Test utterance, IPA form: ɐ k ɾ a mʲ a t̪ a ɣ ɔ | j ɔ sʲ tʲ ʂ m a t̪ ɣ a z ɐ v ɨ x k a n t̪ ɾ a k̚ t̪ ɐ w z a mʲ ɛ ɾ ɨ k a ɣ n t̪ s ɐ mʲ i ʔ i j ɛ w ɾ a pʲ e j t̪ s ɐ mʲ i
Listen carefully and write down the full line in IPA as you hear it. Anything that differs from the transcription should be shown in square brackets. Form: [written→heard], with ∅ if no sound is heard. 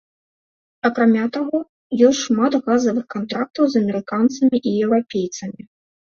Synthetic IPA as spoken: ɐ k ɾ a mʲ a t̪ a ɣ ɔ | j ɔ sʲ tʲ ʂ m a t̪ ɣ a z ɐ v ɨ x k a n t̪ ɾ a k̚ t̪ ɐ w z [a→ɐ] mʲ ɛ ɾ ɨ k a [ɣ→∅] n t̪ s ɐ mʲ i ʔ i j ɛ w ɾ a pʲ e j t̪ s ɐ mʲ i